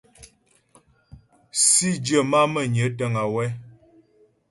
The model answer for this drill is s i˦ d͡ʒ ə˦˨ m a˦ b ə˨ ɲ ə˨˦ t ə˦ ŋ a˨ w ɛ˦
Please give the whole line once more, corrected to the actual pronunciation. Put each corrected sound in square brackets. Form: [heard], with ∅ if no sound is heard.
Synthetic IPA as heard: s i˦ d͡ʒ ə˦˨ m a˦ [m] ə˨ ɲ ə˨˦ t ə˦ ŋ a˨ w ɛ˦